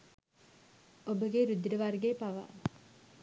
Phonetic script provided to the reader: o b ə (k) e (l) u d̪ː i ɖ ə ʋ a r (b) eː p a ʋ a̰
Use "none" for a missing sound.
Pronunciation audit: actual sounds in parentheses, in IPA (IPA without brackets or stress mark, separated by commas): ɡ, ɾ, ɡ